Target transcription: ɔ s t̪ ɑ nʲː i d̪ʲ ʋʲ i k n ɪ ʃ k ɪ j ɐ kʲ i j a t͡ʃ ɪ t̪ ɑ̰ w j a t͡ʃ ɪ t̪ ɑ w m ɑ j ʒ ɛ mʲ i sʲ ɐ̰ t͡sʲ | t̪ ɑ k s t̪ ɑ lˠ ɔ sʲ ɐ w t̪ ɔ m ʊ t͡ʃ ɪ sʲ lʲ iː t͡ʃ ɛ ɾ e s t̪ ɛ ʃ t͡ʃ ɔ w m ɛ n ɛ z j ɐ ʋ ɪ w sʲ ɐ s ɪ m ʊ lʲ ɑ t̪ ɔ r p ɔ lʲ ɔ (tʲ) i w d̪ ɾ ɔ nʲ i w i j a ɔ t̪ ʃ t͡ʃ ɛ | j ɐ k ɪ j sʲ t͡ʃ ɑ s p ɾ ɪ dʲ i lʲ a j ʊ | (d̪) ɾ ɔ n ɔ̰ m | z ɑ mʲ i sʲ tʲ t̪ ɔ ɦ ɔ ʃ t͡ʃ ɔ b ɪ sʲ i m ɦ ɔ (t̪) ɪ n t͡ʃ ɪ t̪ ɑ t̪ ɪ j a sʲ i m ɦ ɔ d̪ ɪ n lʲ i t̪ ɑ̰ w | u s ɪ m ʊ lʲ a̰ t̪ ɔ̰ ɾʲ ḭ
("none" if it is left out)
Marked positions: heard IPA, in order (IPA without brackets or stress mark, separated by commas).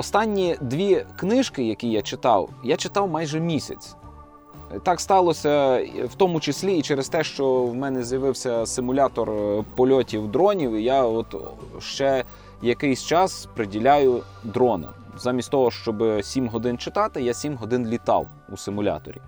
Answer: tʲ, d̪, d̪